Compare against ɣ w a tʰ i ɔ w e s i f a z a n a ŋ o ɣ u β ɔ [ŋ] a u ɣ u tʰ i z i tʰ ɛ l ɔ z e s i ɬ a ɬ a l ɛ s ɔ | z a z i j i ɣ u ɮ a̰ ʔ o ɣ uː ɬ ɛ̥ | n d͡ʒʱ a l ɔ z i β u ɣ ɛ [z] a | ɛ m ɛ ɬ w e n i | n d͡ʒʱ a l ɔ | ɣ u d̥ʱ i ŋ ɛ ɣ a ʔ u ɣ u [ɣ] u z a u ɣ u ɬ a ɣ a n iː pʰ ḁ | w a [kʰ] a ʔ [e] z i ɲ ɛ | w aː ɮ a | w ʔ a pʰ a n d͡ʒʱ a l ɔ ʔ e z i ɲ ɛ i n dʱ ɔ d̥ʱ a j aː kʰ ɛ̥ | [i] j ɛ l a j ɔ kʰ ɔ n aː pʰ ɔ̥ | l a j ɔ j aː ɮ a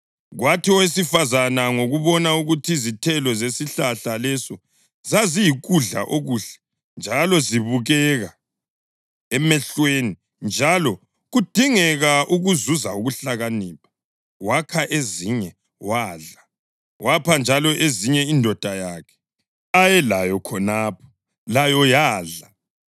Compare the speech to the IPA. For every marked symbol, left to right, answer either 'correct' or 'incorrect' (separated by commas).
incorrect, incorrect, incorrect, correct, correct, incorrect